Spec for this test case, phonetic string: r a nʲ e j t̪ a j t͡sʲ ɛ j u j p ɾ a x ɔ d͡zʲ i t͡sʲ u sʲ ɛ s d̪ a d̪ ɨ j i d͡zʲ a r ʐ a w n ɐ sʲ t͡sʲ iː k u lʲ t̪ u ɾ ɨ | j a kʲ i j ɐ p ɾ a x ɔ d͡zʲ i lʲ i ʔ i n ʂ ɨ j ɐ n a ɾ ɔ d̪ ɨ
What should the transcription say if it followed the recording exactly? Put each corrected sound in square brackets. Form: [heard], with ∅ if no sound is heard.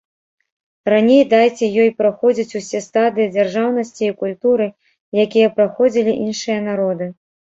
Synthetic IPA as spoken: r a nʲ e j [d̪] a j t͡sʲ ɛ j [ɔ] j p ɾ a x ɔ d͡zʲ i t͡sʲ u sʲ ɛ s [t̪] a d̪ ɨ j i d͡zʲ a r ʐ a w n ɐ sʲ t͡sʲ iː k u lʲ t̪ u ɾ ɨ | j a kʲ i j ɐ p ɾ a x ɔ d͡zʲ i lʲ i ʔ i n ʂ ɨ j ɐ n a ɾ ɔ d̪ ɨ